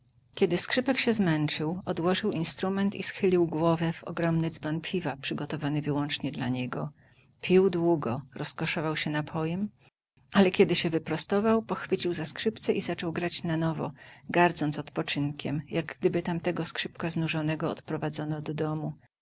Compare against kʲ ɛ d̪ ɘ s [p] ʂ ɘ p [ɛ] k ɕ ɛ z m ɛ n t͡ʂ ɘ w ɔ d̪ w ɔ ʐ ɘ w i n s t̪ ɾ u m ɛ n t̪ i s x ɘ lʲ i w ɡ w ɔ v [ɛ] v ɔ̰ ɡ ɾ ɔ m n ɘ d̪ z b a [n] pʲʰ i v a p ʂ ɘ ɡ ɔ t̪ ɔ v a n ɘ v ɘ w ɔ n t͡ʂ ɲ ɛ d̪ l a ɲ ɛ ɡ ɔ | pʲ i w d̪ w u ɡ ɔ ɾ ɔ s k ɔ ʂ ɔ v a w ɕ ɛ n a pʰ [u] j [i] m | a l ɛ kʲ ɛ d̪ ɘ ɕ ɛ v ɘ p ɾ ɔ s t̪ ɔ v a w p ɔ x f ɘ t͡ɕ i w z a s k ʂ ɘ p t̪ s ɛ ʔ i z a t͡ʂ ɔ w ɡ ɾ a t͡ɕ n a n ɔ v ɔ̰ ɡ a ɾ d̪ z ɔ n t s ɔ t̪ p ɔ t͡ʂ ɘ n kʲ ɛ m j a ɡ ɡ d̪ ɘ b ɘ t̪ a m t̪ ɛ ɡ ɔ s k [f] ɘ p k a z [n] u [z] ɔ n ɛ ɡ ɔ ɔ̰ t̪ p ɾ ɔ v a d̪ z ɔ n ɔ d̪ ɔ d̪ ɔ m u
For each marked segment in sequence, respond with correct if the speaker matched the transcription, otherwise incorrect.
incorrect: k, correct, correct, correct, incorrect: ɔ, incorrect: ɛ, incorrect: ʂ, correct, incorrect: ʐ

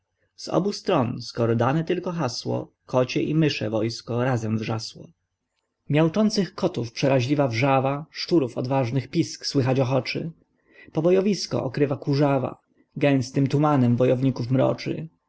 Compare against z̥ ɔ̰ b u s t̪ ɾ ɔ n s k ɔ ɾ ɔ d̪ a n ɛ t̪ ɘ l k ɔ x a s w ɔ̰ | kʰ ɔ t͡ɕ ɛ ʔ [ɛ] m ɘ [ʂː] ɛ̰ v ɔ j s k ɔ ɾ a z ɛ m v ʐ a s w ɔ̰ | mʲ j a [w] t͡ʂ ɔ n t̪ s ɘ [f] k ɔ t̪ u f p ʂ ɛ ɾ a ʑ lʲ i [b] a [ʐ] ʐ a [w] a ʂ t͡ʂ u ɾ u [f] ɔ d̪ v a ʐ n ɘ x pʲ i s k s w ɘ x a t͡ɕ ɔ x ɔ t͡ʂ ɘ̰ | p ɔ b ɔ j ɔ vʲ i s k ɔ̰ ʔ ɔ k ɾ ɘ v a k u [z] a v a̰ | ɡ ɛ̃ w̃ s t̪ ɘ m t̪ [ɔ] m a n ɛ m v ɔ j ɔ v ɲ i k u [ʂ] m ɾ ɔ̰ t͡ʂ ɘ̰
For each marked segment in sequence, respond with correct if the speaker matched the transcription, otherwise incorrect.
incorrect: i, incorrect: ʂ, correct, incorrect: x, incorrect: v, incorrect: v, incorrect: v, correct, incorrect: ʐ, incorrect: u, incorrect: f

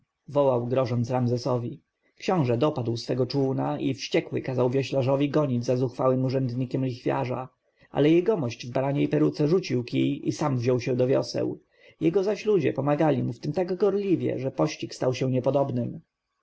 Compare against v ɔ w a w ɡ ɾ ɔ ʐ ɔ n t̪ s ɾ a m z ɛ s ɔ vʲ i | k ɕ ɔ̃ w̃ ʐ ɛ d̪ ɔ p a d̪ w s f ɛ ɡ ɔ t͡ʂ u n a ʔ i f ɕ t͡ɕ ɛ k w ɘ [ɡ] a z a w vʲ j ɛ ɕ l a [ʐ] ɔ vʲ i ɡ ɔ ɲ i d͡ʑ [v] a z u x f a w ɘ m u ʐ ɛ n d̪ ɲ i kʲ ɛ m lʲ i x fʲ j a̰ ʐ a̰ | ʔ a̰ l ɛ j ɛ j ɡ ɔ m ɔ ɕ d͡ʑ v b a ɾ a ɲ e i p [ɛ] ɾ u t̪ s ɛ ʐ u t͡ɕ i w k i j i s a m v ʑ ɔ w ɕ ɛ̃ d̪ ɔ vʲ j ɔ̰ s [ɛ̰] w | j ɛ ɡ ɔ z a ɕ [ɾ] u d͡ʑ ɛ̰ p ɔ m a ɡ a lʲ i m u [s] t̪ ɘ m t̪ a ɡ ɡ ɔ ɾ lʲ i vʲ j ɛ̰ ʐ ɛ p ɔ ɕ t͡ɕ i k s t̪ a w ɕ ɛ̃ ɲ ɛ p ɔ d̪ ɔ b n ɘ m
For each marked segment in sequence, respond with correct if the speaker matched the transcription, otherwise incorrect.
incorrect: k, correct, incorrect: z, correct, correct, incorrect: l, incorrect: f

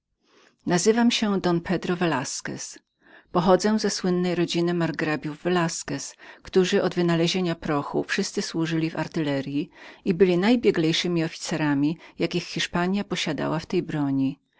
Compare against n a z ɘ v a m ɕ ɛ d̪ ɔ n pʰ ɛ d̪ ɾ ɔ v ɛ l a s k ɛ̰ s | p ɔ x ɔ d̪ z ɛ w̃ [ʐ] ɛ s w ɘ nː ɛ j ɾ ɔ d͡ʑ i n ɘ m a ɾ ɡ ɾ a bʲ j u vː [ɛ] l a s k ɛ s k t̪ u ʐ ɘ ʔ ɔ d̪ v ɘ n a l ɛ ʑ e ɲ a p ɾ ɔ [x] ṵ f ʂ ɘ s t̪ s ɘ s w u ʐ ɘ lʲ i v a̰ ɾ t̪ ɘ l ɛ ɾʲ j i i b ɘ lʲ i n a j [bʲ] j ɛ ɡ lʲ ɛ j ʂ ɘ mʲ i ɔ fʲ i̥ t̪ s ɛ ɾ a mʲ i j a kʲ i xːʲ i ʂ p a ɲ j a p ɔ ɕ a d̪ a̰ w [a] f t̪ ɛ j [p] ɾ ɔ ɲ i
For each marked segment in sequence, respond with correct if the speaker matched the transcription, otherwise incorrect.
incorrect: z, correct, correct, correct, correct, incorrect: b

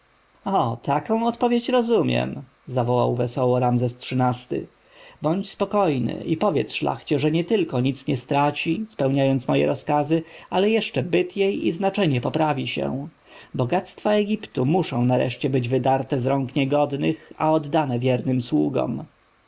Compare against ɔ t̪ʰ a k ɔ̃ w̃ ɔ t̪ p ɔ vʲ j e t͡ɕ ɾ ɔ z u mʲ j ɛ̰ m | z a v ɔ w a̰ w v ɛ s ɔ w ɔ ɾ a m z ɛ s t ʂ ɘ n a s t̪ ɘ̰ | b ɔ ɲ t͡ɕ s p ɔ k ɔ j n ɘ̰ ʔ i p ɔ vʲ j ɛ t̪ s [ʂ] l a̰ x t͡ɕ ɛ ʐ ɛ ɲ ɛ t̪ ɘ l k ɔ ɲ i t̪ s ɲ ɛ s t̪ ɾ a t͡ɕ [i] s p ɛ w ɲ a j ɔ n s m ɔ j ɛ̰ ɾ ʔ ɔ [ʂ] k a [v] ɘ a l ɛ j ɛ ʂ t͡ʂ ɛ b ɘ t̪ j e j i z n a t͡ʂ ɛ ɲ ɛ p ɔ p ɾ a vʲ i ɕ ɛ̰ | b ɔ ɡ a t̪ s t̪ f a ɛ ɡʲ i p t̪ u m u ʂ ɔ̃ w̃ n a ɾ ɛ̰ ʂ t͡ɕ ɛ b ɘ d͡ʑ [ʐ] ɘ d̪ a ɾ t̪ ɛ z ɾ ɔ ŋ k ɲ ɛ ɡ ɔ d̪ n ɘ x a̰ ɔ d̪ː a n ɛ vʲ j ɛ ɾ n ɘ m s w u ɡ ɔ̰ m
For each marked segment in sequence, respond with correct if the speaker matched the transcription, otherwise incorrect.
correct, correct, incorrect: s, incorrect: z, incorrect: v

